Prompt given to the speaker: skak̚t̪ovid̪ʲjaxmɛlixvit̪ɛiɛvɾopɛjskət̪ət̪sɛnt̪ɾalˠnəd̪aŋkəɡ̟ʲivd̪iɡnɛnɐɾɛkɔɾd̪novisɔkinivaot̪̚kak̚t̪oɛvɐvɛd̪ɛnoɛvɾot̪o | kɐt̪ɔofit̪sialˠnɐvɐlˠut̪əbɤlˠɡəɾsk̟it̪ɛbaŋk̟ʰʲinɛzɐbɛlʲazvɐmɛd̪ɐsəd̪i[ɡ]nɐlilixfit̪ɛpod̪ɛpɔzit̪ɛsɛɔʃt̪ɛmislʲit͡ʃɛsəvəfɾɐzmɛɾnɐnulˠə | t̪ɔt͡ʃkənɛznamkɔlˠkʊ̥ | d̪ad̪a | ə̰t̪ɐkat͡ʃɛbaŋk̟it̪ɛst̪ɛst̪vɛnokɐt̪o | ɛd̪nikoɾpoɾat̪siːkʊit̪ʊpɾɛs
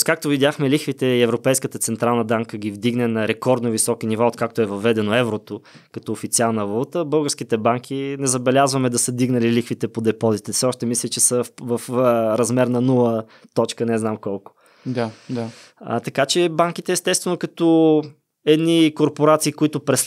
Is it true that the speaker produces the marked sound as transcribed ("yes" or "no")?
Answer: yes